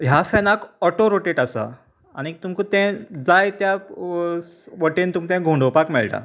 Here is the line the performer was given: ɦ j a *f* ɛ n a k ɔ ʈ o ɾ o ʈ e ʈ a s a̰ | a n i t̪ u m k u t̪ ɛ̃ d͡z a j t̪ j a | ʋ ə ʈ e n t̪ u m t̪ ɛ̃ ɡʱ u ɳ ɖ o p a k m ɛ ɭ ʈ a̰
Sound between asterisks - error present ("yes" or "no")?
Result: no